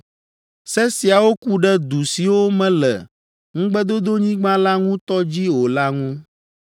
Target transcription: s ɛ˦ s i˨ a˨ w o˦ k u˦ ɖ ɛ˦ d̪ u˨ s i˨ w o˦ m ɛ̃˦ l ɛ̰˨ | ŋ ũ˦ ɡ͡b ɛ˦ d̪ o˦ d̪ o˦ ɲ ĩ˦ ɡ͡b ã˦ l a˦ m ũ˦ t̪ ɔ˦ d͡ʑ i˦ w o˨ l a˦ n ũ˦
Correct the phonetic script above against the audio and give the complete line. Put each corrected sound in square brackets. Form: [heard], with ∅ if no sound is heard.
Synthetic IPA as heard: s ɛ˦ s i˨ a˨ w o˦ k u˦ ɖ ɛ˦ d̪ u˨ s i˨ w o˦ m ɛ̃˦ l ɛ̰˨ | ŋ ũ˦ ɡ͡b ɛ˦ d̪ o˦ d̪ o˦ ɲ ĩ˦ ɡ͡b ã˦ l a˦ [ŋ] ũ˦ t̪ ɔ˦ d͡ʑ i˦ w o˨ l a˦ [ŋ] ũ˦